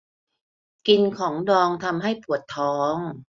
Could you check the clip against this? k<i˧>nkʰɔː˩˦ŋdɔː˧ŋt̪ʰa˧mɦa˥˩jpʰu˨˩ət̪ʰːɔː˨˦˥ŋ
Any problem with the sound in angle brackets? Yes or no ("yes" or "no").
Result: no